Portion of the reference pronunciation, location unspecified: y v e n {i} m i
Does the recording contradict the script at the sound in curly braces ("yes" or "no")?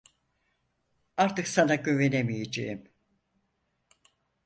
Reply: yes